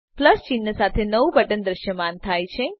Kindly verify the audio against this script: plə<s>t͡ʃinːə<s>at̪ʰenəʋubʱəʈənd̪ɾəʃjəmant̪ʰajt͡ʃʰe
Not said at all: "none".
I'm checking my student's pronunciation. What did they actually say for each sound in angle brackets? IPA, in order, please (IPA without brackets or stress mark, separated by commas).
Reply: s, s